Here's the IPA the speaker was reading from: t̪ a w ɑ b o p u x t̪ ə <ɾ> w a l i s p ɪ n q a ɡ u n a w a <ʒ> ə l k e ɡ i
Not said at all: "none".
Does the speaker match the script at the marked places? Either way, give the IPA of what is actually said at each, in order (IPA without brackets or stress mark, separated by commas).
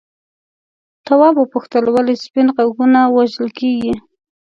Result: l, ʒ